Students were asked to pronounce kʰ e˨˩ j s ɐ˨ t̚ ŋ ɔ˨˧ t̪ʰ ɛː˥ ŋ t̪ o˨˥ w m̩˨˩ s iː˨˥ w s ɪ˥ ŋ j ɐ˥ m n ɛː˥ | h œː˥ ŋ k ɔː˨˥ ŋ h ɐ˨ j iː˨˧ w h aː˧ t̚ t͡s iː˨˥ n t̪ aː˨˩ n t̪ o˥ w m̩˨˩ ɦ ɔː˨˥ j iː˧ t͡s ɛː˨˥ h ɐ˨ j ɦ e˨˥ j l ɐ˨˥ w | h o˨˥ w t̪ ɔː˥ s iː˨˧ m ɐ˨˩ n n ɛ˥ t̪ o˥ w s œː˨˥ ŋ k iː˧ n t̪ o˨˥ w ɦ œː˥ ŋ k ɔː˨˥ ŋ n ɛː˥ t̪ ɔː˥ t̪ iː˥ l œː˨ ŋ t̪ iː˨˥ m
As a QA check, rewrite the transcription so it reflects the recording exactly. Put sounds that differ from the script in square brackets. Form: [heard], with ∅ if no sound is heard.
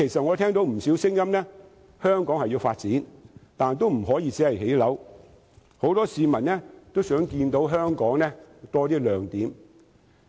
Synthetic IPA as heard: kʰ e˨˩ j s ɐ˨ t̚ ŋ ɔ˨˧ t̪ʰ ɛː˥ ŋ t̪ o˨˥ w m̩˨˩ s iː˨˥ w s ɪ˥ ŋ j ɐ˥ m n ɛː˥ | h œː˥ ŋ k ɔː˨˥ ŋ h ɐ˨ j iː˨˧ w [f] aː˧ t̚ t͡s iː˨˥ n t̪ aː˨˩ n t̪ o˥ w m̩˨˩ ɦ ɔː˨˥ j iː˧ t͡s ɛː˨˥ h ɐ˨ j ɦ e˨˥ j l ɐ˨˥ w | h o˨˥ w t̪ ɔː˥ s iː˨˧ m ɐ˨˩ n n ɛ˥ t̪ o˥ w s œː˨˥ ŋ k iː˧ n t̪ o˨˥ w ɦ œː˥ ŋ k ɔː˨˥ ŋ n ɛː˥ t̪ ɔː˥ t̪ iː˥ l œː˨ ŋ t̪ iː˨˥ m